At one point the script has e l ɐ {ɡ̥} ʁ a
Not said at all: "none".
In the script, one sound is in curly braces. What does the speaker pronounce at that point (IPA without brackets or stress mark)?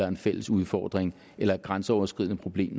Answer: ɡ̥